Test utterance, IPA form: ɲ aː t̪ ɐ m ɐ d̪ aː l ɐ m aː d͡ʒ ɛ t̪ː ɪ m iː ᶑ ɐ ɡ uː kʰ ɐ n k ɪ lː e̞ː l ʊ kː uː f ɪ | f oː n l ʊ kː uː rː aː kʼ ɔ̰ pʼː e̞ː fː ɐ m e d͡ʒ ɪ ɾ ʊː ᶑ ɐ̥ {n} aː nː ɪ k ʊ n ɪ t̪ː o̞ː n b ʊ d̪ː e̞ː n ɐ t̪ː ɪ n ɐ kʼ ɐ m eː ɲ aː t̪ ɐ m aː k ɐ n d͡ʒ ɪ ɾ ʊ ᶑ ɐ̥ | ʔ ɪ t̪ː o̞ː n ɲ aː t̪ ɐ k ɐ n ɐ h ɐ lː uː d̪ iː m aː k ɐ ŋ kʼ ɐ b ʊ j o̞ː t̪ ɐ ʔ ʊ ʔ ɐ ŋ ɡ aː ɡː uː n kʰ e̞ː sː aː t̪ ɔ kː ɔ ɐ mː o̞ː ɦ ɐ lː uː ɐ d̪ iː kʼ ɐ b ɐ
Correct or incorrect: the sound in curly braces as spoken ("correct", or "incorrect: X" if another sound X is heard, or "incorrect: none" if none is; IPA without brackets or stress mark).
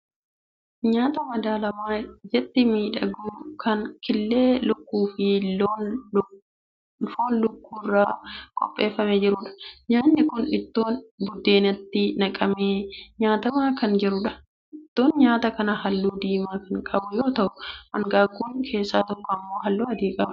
incorrect: ɲ